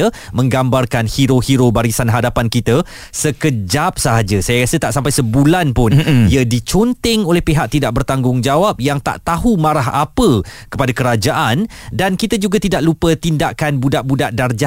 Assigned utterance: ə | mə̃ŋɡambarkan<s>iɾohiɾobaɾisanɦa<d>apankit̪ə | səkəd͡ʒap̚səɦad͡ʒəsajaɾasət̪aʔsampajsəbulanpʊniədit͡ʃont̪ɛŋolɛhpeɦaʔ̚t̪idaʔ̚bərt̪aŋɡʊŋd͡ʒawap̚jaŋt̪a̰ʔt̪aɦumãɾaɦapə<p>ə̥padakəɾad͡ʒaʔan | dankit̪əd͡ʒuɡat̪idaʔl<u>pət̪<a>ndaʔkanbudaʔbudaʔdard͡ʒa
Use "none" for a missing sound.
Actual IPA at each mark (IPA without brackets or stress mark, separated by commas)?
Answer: h, d, k, u, i